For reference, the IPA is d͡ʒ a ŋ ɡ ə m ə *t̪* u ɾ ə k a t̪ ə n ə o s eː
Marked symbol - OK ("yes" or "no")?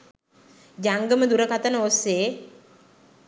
no